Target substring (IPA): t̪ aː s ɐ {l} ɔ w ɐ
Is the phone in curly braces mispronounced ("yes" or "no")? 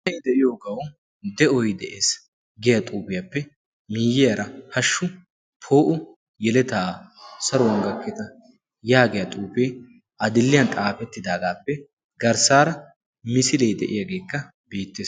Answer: yes